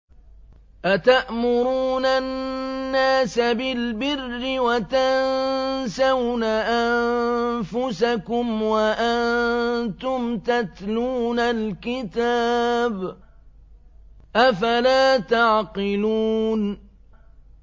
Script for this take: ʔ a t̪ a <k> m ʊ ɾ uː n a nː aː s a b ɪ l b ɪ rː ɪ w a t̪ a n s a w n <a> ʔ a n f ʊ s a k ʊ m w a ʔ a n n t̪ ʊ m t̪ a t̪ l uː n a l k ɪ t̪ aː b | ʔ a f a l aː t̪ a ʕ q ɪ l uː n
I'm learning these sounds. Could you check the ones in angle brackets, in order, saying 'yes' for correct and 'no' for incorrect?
no, yes

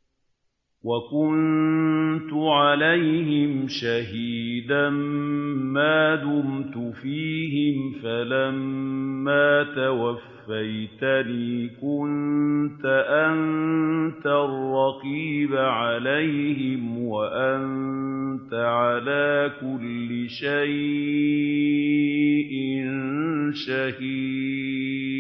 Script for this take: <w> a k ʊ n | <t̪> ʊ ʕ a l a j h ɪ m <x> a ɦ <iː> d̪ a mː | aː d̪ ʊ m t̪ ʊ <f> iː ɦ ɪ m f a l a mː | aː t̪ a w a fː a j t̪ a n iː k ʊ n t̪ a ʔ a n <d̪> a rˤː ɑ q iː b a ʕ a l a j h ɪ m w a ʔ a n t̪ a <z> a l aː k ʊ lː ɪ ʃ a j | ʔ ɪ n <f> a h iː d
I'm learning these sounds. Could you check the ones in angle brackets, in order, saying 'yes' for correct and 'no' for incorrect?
yes, yes, no, yes, yes, no, no, no

